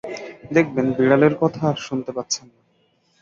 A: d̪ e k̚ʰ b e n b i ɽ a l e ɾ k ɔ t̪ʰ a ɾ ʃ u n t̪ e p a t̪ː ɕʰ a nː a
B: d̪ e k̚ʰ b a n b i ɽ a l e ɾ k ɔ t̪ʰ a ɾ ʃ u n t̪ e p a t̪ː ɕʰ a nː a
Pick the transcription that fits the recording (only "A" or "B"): A